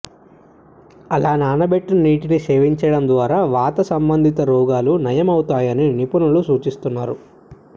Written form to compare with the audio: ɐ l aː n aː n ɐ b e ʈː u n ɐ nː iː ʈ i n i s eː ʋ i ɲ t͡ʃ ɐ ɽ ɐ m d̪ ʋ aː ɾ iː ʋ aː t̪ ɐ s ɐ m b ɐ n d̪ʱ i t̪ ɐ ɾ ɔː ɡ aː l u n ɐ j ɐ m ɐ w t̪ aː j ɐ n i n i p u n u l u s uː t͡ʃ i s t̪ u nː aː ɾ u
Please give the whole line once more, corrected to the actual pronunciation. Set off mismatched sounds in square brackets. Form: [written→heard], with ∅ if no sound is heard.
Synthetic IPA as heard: ɐ l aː n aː n ɐ b e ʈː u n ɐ [nː→n] iː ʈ i n i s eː ʋ i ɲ t͡ʃ ɐ ɽ ɐ m d̪ ʋ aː ɾ [iː→aː] ʋ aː t̪ ɐ s ɐ m b ɐ n d̪ʱ i t̪ ɐ ɾ ɔː ɡ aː l u n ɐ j ɐ m ɐ w t̪ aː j ɐ n i n i p u n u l u s uː t͡ʃ i s t̪ u nː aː ɾ u